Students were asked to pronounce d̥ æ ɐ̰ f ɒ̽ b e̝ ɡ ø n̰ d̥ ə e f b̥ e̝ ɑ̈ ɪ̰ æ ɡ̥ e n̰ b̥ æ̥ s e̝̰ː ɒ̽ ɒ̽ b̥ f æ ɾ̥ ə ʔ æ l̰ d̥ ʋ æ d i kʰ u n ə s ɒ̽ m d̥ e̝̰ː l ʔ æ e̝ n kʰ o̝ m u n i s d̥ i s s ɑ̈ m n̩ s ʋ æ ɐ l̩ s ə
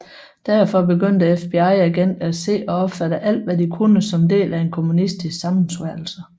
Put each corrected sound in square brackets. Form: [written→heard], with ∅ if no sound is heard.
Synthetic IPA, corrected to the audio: d̥ æ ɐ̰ f ɒ̽ b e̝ ɡ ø n̰ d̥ ə e f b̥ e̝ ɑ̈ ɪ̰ æ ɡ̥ e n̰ [b̥→d̥] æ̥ s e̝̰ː ɒ̽ ɒ̽ b̥ f æ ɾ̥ ə ʔ æ l̰ d̥ ʋ æ d i kʰ u n ə s ɒ̽ m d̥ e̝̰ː l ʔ æ e̝ n kʰ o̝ m u n i s d̥ i s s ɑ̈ m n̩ s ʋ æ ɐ l̩ s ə